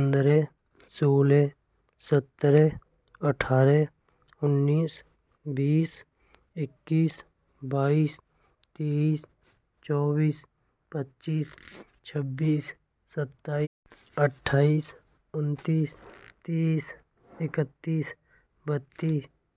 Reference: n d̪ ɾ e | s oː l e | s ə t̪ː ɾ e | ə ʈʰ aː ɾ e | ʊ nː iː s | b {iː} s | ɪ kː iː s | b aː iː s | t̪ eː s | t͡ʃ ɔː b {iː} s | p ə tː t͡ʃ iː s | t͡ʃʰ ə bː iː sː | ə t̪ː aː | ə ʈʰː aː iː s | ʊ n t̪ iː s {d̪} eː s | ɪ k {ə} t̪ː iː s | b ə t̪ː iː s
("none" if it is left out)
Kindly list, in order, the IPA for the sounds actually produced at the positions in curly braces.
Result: iː, iː, t̪, ə

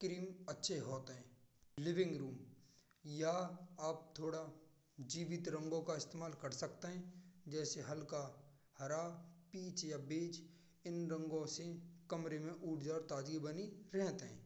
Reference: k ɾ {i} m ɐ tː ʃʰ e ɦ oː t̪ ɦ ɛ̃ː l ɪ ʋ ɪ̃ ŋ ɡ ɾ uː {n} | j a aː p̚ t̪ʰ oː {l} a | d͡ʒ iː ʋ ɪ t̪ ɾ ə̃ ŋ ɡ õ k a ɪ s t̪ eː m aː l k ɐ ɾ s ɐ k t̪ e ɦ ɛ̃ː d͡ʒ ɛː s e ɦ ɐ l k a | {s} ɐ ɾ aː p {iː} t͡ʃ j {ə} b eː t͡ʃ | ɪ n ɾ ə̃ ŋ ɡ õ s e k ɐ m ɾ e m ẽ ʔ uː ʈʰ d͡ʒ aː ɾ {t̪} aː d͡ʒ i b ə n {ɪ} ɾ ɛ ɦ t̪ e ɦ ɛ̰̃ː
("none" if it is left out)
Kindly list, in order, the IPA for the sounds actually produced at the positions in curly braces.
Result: iː, m, ɽ, h, iː, a, t̪, i

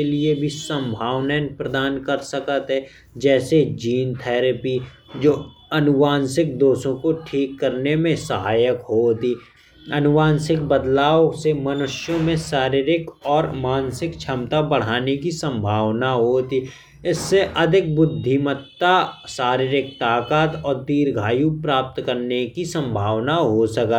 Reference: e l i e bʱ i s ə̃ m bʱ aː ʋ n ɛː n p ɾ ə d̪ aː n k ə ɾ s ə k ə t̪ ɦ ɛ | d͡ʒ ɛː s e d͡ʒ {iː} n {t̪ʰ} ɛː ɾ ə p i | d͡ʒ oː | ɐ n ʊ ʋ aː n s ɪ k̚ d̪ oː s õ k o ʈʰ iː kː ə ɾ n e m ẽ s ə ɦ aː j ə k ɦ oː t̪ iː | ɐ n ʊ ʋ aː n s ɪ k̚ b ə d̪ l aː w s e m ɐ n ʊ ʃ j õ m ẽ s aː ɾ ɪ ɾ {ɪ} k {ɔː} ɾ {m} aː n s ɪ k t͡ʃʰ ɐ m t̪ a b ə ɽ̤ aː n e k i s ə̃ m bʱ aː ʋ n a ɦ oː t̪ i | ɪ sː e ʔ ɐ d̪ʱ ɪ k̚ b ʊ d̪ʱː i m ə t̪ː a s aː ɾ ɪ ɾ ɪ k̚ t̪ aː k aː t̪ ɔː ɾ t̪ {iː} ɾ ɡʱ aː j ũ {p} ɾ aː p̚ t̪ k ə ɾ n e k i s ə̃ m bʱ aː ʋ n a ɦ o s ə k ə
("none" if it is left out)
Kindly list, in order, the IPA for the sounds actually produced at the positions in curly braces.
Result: iː, t̪ʰ, ɪ, ɔː, m, iː, p

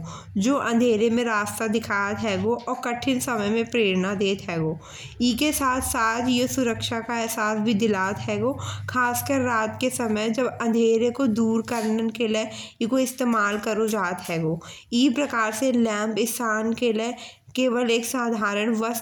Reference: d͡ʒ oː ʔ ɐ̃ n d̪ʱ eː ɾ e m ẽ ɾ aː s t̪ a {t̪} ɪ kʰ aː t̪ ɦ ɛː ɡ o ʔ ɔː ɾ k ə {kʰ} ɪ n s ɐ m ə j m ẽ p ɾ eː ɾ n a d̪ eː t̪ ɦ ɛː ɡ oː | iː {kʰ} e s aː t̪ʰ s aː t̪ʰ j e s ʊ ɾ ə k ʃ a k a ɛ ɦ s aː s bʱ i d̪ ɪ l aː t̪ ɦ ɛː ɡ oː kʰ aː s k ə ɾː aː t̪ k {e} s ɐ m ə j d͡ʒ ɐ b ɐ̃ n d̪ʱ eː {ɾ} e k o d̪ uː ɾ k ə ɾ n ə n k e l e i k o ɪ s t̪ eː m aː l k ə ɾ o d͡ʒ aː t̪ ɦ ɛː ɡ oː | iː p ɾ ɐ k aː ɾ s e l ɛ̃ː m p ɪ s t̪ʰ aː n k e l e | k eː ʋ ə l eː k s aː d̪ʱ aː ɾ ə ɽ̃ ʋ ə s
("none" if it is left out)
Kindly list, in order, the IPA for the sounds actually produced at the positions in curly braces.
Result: d̪, ʈʰ, k, e, ɾ

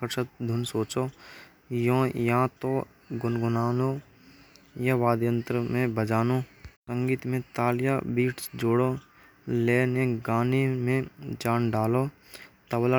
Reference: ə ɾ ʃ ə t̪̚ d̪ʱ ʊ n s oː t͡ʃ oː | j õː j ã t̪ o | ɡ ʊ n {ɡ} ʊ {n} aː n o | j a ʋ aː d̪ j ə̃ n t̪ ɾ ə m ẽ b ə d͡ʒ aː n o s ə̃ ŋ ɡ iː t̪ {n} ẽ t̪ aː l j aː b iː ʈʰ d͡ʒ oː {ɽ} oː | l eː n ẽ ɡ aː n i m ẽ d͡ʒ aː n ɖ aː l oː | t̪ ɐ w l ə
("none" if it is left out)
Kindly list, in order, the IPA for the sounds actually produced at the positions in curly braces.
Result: ɡ, n, m, ɽ

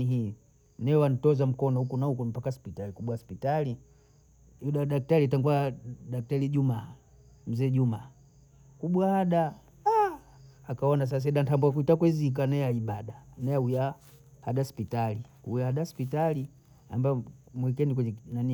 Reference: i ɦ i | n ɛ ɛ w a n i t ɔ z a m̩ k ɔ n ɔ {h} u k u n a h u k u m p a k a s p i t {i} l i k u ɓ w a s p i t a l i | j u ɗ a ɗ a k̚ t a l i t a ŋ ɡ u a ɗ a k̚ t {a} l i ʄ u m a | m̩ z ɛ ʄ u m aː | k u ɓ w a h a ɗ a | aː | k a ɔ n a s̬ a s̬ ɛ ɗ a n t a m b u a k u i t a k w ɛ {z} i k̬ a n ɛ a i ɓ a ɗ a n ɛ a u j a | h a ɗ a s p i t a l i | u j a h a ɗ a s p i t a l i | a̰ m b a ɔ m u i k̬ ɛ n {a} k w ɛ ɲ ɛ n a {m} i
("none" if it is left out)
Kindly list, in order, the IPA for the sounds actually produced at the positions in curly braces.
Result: h, a, a, z, i, n

